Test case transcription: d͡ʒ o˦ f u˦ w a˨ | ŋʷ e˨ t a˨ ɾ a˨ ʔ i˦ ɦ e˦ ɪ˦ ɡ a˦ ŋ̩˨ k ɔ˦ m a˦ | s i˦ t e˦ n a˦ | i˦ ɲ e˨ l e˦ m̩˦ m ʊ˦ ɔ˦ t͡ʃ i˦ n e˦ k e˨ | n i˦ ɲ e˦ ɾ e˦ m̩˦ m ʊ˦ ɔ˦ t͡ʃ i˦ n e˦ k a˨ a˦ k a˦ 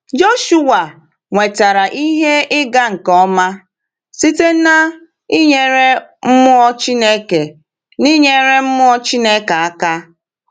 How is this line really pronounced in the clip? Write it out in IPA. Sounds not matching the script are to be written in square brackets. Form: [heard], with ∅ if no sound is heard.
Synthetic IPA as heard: d͡ʒ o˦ [ʃ] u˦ w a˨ | ŋʷ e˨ t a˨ ɾ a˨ ʔ i˦ ɦ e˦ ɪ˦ ɡ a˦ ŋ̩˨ k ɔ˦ m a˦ | s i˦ t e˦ n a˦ | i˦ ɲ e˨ [ɾ] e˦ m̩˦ m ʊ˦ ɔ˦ t͡ʃ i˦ n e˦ k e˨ | n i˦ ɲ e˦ ɾ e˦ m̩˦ m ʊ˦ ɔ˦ t͡ʃ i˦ n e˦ k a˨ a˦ k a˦